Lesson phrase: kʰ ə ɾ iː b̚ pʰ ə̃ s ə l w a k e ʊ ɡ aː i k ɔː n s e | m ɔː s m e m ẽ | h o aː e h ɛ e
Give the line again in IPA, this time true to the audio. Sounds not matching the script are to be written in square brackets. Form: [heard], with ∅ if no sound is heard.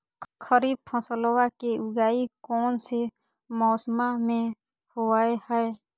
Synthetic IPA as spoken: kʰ ə ɾ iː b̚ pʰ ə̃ s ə l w a k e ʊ ɡ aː i k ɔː n s e | m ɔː s m [a] m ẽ | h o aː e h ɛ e

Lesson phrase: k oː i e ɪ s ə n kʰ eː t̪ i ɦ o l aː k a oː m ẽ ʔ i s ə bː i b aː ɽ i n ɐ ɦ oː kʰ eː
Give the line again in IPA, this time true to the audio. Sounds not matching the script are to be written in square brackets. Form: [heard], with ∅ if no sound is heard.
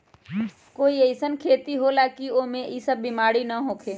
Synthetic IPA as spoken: k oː i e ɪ s ə n kʰ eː t̪ i ɦ o l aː k [i] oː m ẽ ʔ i s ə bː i [m] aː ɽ i n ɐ ɦ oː kʰ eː

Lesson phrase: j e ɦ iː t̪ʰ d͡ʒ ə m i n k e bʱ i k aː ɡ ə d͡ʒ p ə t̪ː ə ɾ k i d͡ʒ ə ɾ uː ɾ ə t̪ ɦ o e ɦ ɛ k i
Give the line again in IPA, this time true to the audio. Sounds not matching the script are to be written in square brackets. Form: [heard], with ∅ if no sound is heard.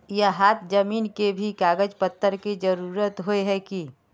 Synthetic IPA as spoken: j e ɦ [aː] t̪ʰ d͡ʒ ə m [iː] n k e bʱ i k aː ɡ ə d͡ʒ p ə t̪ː ə ɾ k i d͡ʒ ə ɾ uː ɾ ə t̪ ɦ o e ɦ ɛ k i

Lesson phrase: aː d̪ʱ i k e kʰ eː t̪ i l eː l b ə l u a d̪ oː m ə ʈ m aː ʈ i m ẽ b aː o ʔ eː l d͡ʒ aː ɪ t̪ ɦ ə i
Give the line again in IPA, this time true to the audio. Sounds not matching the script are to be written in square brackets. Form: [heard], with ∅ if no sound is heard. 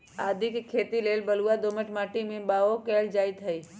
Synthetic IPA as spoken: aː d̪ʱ i k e kʰ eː t̪ i l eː l b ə l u a d̪ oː m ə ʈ m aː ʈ i m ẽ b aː o [k] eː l d͡ʒ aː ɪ t̪ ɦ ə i

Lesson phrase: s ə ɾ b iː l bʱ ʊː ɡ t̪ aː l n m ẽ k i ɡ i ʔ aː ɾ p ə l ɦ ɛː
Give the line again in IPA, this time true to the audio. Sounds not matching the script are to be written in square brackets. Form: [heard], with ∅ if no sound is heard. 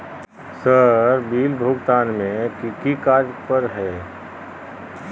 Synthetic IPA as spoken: s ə ɾ b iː l bʱ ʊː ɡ t̪ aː [∅] n m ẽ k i [k] i [k] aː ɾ p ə [ɾ] ɦ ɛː

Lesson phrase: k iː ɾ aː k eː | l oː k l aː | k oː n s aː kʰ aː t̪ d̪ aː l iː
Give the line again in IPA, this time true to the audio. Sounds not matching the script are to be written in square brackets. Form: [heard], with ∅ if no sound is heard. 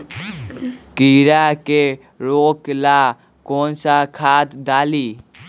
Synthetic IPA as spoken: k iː ɾ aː k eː | [ɾ] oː k l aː | k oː n s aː kʰ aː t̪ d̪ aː l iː

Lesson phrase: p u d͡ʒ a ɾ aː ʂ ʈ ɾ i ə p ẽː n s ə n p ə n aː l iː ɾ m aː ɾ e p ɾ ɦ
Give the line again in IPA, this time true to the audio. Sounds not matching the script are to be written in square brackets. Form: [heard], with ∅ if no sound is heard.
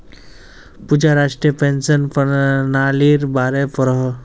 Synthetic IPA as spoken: p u d͡ʒ a ɾ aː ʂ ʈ ɾ i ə p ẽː n s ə n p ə n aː l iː ɾ [b] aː ɾ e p ɾ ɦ

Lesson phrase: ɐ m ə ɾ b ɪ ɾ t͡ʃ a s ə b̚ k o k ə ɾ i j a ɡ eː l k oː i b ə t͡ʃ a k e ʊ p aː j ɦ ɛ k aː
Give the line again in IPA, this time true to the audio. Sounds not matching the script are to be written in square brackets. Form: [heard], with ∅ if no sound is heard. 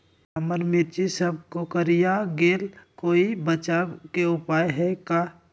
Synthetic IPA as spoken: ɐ m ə ɾ [m] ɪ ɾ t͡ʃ [i] s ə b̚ k o k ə ɾ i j a ɡ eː l k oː i b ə t͡ʃ a k e ʊ p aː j ɦ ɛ k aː

